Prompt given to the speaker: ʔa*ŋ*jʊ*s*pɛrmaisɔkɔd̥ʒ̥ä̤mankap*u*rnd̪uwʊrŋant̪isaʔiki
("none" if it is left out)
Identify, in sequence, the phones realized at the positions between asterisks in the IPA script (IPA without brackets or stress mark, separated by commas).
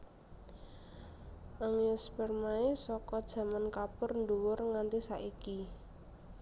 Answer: ŋ, s, ʊ